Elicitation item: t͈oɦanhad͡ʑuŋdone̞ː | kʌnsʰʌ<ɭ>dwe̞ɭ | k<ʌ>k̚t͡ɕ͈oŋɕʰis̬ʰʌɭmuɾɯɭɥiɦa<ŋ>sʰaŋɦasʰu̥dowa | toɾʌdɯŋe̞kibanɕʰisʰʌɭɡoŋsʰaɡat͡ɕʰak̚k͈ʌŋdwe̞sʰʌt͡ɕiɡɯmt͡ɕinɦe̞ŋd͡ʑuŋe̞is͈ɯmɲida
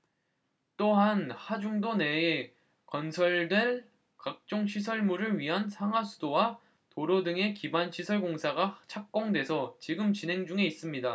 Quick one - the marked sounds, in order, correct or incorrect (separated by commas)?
correct, incorrect, incorrect